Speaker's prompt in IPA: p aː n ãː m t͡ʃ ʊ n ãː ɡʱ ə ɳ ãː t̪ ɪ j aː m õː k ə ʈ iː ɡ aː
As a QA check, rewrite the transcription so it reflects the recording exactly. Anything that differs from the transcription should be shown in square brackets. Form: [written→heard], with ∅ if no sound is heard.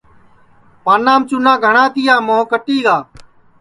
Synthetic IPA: p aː n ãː m t͡ʃ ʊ n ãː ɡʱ ə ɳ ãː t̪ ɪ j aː m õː k ə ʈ iː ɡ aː